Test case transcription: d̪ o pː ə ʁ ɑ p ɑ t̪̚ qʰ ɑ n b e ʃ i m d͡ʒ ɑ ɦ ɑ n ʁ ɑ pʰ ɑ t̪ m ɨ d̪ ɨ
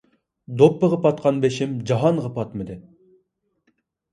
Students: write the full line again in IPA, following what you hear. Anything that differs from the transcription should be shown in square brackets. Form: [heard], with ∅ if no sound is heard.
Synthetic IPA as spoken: d̪ o pː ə ʁ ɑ p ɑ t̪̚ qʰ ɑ n b e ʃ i m d͡ʒ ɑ ɦ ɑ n ʁ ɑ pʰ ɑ t̪ m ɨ d̪ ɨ